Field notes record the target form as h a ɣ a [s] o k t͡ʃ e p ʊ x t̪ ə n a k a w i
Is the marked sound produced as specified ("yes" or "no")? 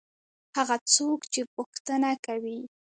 no